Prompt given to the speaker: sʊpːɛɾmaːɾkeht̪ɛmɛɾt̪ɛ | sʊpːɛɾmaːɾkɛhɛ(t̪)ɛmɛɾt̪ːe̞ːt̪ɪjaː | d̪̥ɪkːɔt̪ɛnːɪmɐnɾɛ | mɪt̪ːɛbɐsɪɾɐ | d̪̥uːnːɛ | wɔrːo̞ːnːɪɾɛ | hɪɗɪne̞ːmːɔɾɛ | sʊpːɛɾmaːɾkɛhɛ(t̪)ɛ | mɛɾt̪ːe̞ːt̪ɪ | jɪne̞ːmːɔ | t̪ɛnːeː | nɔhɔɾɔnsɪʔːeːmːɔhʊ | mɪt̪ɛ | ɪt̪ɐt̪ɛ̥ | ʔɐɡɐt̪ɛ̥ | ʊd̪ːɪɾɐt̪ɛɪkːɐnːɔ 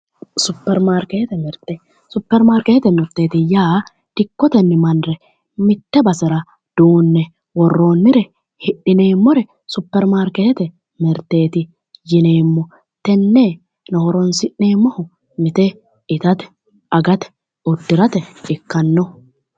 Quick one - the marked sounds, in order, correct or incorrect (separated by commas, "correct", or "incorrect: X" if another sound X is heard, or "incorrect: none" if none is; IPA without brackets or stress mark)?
correct, correct